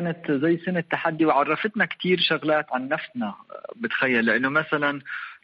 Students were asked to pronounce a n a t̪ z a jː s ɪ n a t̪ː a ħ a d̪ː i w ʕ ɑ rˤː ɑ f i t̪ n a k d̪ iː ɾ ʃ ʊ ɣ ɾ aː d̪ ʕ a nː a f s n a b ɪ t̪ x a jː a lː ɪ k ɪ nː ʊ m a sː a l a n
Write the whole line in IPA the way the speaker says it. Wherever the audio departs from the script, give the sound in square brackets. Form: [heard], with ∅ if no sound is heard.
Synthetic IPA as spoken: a n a t̪ z a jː s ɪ n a t̪ː a ħ a d̪ː i w ʕ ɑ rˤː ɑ f [ɪ] t̪ n a k [t̪] iː ɾ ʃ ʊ ɣ [l] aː [t̪] ʕ a nː a f s n a b ɪ t̪ x a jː a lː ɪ [ʔ] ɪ nː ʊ m a [s] a l a n